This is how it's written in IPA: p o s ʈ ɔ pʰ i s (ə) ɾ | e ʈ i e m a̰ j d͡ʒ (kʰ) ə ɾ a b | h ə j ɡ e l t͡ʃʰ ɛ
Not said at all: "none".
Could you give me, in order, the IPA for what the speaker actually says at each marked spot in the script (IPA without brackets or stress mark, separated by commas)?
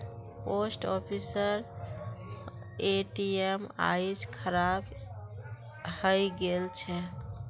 ə, kʰ